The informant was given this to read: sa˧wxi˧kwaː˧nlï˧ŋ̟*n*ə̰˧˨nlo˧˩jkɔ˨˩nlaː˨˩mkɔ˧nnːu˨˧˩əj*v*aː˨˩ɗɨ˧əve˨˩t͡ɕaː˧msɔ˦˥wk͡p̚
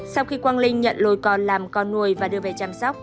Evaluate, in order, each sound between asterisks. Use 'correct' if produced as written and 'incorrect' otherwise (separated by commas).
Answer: incorrect, correct